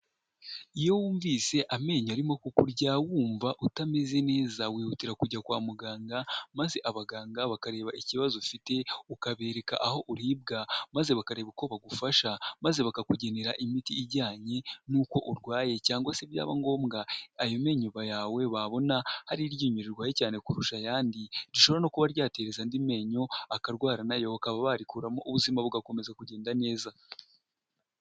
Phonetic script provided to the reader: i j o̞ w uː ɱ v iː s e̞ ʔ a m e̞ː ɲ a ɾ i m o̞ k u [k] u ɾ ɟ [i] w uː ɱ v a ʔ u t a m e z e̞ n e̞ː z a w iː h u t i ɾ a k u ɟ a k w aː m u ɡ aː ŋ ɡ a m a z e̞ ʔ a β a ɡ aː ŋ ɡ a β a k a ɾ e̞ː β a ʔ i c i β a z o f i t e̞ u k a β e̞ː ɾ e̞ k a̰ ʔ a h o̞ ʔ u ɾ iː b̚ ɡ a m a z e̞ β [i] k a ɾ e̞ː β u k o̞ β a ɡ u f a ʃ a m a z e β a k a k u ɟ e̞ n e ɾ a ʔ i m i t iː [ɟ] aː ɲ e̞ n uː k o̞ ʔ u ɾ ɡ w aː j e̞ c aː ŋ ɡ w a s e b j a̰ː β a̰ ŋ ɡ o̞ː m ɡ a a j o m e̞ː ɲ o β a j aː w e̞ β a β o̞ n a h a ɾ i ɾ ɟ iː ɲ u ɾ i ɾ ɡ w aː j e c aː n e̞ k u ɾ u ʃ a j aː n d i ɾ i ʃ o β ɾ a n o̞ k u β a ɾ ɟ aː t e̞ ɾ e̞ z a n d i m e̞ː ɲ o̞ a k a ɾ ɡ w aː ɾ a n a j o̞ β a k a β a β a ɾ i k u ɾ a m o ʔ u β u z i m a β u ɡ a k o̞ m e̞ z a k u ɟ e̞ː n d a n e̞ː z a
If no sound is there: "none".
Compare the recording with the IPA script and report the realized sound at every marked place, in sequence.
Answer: k, a, a, ɟ

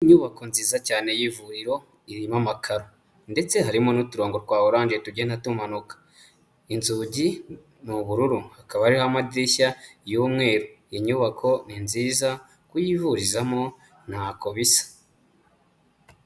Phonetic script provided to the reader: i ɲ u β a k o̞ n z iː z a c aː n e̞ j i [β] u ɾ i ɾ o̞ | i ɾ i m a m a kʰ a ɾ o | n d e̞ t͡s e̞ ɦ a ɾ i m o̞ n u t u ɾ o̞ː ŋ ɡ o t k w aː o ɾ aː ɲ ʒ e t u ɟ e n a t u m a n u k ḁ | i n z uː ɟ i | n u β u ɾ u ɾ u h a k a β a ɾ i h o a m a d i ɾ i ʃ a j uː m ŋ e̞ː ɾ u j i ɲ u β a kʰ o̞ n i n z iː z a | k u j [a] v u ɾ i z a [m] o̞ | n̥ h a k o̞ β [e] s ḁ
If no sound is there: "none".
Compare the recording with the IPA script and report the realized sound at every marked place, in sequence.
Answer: v, i, m, i

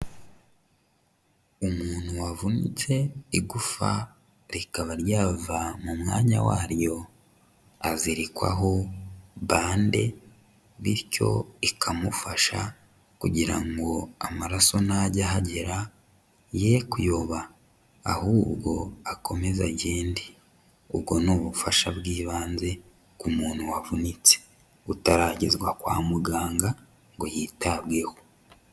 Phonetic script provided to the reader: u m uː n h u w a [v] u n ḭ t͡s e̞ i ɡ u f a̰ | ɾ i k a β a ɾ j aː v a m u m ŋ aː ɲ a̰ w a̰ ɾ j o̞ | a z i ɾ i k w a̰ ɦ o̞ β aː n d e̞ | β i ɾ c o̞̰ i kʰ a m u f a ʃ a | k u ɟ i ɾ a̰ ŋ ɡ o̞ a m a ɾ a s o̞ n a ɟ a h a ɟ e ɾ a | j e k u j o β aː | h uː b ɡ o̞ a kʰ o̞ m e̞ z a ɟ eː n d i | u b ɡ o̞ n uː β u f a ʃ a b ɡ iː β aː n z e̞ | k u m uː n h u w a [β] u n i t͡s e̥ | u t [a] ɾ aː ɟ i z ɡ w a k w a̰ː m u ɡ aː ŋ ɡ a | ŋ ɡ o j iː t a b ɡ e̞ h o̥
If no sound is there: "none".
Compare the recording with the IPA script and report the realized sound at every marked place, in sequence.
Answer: v, v, a

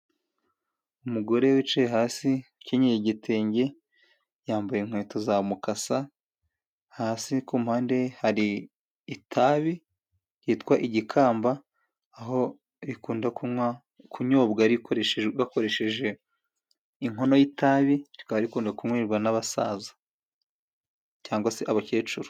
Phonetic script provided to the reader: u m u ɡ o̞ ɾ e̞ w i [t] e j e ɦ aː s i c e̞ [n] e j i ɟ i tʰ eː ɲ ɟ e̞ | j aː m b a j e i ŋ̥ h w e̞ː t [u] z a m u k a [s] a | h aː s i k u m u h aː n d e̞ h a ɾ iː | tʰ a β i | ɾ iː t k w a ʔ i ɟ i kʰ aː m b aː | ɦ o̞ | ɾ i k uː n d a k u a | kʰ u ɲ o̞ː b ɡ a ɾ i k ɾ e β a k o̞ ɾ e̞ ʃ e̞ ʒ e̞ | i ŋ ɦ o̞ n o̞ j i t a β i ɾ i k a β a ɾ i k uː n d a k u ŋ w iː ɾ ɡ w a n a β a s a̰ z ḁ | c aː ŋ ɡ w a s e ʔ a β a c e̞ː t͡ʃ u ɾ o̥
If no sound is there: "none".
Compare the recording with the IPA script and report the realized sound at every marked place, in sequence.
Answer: t͡ʃ, ɲ, o, s

